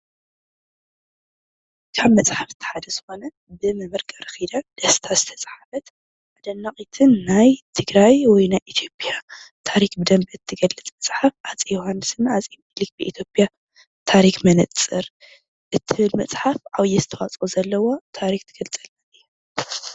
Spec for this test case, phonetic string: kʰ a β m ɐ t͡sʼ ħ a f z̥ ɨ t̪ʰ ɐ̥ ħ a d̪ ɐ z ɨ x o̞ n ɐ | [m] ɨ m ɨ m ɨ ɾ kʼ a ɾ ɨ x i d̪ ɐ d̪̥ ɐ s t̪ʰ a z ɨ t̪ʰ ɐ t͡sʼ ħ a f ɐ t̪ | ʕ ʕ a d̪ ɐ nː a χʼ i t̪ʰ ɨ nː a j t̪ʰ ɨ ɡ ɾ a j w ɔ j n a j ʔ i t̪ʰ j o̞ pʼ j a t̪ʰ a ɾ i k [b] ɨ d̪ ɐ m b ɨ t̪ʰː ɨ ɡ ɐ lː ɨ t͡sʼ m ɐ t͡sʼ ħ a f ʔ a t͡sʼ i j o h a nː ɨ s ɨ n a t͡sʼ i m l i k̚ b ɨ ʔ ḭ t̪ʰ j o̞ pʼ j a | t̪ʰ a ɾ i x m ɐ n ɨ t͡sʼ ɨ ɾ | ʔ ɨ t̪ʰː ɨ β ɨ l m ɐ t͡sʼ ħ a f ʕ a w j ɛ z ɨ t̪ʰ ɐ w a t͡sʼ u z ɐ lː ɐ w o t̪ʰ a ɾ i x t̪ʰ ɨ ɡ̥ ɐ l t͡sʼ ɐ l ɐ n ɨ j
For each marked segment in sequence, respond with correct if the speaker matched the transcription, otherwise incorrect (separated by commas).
incorrect, correct